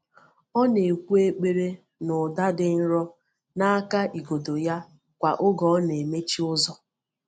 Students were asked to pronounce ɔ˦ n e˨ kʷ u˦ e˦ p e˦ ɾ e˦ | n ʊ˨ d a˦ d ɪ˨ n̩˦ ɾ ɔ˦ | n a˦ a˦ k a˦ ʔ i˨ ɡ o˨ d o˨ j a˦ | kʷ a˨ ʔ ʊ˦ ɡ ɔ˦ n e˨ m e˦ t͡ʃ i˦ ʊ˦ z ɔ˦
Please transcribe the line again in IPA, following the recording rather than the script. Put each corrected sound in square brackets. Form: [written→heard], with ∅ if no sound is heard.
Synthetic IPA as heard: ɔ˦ n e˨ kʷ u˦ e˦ [p→k͡p] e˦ ɾ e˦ | n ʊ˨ d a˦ d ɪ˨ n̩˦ ɾ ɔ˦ | n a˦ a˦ k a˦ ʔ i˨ ɡ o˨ d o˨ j a˦ | kʷ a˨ ʔ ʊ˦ ɡ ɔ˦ n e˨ m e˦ t͡ʃ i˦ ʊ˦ z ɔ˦